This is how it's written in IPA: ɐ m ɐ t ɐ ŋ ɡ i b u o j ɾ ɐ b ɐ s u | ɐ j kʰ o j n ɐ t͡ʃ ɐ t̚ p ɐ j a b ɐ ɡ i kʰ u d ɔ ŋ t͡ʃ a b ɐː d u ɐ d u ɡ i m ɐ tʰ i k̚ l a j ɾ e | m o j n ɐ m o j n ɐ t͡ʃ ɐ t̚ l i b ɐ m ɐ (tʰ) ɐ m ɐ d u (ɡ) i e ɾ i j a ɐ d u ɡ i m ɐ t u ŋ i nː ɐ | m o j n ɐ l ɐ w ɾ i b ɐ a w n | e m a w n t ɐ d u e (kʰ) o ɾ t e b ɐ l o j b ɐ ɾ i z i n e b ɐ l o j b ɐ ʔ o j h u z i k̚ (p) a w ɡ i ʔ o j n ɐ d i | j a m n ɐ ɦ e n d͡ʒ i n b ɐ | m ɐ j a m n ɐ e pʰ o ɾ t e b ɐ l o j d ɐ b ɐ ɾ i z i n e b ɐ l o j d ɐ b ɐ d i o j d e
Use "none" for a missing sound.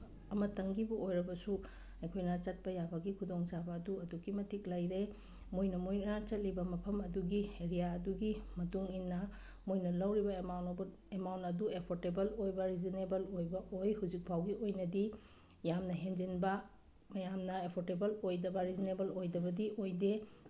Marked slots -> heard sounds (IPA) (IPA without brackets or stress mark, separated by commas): pʰ, ɡ, pʰ, pʰ